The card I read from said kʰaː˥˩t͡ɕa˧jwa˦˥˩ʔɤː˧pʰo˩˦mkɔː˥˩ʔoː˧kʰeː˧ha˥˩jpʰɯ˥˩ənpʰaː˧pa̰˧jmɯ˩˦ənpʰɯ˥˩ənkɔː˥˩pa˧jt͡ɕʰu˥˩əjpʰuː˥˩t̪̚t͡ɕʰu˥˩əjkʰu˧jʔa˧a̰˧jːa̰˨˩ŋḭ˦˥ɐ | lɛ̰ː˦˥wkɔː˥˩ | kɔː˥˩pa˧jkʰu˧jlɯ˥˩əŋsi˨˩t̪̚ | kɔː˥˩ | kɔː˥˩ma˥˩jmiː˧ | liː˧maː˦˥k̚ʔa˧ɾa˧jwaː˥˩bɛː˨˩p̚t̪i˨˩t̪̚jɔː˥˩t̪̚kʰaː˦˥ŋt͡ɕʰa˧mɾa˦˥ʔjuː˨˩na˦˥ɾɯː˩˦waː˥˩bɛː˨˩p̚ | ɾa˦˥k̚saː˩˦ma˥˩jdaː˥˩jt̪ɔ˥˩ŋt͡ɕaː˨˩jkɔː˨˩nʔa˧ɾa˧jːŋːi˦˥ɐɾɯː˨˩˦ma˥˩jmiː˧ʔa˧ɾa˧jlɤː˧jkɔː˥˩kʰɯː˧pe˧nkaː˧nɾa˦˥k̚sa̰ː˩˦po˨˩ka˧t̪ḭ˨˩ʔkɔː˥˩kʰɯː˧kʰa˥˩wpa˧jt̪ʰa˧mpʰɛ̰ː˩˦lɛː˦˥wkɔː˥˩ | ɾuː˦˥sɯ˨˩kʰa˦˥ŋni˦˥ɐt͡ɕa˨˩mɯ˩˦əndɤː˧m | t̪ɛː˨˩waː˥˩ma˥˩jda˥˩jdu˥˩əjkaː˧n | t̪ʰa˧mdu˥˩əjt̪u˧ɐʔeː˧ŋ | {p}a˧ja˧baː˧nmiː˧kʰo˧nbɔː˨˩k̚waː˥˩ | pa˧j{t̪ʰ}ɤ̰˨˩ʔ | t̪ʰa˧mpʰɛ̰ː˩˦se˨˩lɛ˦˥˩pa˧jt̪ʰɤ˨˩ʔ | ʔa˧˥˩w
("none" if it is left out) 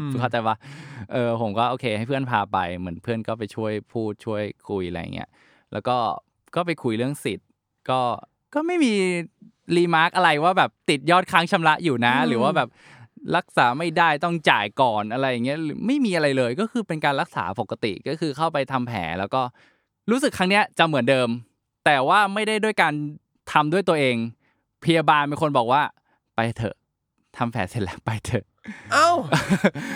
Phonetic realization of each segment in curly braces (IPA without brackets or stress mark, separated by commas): pʰ, t̪ʰ